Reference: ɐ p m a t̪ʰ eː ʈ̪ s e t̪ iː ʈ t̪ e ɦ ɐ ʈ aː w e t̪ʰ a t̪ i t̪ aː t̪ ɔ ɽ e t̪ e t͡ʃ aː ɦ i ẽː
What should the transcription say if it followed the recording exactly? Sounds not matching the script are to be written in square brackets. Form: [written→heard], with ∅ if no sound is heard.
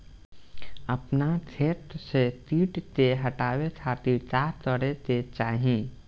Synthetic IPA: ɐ p [m→n] a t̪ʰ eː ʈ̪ s e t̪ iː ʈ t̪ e ɦ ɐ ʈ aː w e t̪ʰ a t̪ i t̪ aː t̪ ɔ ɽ e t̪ e t͡ʃ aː ɦ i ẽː